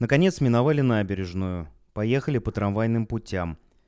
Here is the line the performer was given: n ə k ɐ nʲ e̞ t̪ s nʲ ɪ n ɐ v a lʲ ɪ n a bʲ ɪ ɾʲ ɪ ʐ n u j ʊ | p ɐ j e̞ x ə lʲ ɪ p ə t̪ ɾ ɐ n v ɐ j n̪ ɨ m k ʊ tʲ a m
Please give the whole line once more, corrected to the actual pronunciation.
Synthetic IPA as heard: n ə k ɐ nʲ e̞ t̪ s mʲ ɪ n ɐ v a lʲ ɪ n a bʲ ɪ ɾʲ ɪ ʐ n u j ʊ | p ɐ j e̞ x ə lʲ ɪ p ə t̪ ɾ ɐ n v a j n̪ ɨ m p ʊ tʲ a m